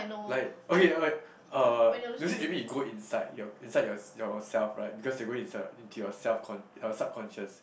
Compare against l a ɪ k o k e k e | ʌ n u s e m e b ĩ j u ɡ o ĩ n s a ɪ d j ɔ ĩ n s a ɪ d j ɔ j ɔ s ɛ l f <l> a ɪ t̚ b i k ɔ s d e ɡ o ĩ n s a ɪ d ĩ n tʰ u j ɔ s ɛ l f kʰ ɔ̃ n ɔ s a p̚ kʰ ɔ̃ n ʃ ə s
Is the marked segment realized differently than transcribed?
yes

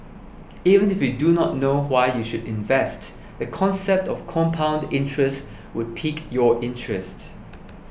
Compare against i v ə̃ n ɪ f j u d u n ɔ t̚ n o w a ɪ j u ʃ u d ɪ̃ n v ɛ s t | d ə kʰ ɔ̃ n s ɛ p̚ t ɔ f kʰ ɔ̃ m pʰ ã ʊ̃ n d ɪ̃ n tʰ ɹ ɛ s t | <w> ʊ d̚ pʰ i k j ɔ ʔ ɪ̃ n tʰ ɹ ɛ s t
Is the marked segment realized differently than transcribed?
no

